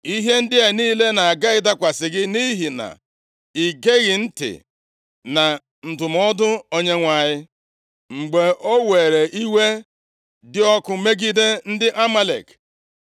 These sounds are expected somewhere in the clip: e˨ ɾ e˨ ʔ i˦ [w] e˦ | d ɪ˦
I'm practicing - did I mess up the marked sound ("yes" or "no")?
no